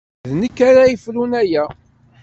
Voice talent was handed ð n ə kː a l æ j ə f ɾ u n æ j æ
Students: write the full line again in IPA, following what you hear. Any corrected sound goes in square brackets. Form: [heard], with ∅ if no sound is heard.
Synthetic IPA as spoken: ð n ə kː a [ɾ] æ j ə f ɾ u n æ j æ